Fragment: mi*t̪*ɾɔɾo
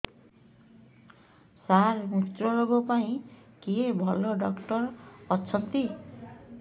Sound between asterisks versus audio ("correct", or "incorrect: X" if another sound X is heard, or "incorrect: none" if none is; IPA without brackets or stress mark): correct